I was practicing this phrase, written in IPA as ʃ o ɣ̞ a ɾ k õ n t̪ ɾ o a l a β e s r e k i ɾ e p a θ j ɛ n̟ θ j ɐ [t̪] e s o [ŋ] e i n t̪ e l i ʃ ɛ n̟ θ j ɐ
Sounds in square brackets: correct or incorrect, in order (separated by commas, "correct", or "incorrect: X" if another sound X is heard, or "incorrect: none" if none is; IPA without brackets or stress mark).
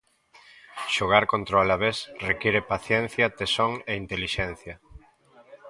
correct, correct